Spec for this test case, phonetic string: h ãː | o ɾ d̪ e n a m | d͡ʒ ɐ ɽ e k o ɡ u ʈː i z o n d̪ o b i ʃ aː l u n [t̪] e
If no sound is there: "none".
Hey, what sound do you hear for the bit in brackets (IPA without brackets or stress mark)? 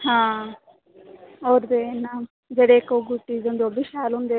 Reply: d̪